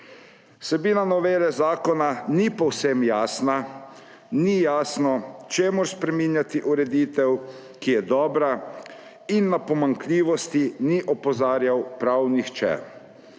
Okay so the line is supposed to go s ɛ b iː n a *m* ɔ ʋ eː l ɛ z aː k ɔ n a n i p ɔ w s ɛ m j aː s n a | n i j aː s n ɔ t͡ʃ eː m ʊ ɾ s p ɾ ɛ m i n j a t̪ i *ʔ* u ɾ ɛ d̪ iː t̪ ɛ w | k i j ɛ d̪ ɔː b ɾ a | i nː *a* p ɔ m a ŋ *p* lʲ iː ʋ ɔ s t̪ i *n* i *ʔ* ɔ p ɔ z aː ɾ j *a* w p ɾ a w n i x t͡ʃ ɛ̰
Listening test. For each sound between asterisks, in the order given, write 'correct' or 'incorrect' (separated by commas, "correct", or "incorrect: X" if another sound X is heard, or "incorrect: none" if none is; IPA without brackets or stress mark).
incorrect: n, correct, correct, incorrect: k, correct, correct, correct